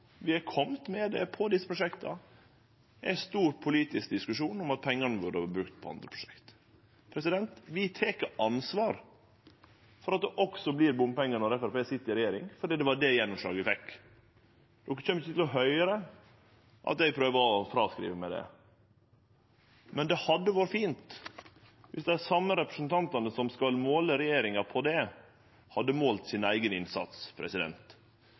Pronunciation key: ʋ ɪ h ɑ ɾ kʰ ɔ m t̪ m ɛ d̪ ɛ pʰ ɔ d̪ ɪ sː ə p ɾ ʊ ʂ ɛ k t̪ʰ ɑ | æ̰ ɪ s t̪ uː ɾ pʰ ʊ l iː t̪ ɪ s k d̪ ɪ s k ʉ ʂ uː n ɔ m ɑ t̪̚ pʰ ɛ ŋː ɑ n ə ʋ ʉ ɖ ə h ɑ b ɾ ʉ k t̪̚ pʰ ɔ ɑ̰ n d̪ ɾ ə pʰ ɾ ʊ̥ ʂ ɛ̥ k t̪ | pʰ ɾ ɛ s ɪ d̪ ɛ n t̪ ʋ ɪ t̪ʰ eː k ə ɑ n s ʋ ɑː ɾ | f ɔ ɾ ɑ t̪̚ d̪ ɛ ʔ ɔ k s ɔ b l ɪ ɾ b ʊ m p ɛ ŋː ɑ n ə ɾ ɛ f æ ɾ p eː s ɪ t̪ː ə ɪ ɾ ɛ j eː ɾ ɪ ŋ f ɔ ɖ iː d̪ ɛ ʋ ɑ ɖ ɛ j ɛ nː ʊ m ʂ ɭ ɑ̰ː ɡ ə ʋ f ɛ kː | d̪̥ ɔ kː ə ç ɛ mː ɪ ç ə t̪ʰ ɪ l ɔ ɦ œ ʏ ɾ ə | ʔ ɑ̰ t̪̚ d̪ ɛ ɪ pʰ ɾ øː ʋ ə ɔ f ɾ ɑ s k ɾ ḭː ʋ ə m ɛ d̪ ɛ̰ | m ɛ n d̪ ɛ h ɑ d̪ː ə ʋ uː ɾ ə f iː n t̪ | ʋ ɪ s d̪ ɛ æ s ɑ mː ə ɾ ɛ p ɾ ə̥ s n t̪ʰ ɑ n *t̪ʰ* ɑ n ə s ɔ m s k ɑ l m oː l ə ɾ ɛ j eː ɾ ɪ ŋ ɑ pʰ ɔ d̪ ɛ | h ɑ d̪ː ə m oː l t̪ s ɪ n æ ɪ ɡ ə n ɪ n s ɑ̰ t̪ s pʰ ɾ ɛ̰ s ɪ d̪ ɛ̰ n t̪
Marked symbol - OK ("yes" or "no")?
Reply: no